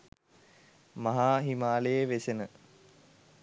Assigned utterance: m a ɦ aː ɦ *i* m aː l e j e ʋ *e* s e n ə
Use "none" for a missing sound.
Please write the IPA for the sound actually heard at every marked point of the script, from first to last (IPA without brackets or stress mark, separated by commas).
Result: i, e